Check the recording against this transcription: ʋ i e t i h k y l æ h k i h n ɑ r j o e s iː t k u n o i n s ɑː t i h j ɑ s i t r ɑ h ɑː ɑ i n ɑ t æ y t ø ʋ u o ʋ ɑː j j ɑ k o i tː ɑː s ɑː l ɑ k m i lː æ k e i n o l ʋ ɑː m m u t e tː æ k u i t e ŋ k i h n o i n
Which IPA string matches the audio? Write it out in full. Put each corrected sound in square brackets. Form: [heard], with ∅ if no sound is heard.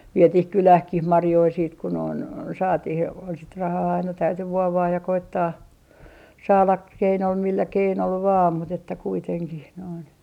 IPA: ʋ i e t i h k y l æ h k i h [m] ɑ r j o [i] s iː t k u n o i n s ɑː t i h j ɑ s i t r ɑ h ɑː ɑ i n ɑ t æ y t [y] ʋ u o ʋ ɑː j j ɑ k o i tː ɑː s ɑː l ɑ k m i lː æ k e i n o l ʋ ɑː m m u t e tː æ k u i t e ŋ k i h n o i n